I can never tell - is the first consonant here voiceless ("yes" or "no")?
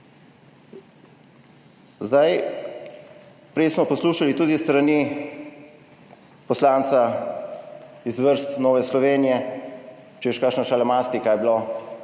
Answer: no